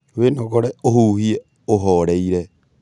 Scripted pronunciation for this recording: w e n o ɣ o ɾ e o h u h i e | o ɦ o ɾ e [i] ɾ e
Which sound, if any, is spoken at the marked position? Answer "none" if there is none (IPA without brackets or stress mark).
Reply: i